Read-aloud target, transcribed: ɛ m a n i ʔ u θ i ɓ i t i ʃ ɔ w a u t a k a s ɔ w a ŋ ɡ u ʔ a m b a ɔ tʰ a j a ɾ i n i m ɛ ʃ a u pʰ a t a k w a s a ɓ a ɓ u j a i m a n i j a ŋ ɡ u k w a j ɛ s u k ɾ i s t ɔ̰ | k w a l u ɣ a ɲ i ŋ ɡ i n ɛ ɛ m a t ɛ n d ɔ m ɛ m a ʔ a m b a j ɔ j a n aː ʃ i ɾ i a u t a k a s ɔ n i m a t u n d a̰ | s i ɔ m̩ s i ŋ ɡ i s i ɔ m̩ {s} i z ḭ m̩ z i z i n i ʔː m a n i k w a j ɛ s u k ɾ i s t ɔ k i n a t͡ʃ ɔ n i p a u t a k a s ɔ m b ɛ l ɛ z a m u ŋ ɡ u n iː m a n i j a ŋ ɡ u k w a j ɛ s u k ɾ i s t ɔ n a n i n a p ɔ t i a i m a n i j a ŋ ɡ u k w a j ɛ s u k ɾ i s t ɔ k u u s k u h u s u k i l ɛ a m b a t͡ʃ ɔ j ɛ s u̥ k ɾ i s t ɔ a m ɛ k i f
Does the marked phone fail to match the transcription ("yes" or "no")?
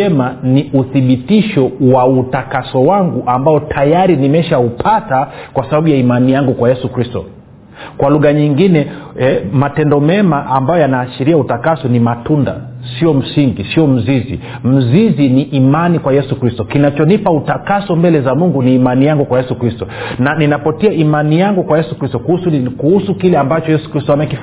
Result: yes